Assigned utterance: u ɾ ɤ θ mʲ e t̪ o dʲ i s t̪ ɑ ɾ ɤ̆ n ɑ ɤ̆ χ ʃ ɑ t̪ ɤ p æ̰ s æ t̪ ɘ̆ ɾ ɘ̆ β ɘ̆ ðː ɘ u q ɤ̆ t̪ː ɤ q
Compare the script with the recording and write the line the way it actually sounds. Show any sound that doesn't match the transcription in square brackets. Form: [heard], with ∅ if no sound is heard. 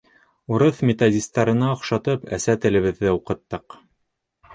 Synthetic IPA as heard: u ɾ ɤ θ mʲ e t̪ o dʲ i s t̪ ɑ ɾ ɤ̆ n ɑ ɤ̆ χ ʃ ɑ t̪ ɤ p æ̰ s æ t̪ ɘ̆ [l] ɘ̆ β ɘ̆ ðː ɘ u q ɤ̆ t̪ː ɤ q